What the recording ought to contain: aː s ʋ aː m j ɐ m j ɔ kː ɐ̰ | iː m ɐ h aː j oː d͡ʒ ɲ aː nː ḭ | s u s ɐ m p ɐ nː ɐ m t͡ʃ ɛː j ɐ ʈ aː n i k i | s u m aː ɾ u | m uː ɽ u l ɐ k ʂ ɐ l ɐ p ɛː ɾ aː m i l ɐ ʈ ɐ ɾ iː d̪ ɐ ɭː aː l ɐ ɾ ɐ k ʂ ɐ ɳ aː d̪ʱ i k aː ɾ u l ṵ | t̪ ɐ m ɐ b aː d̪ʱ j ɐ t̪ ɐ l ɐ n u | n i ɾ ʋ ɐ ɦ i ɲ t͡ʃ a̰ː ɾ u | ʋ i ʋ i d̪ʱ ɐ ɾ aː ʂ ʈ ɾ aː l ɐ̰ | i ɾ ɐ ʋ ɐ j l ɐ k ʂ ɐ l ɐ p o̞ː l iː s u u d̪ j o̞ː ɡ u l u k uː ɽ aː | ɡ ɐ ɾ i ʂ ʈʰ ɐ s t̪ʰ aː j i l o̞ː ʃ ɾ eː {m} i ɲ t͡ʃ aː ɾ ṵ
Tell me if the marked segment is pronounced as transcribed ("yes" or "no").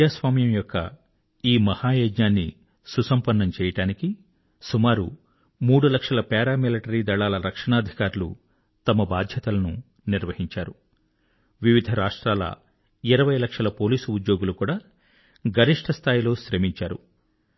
yes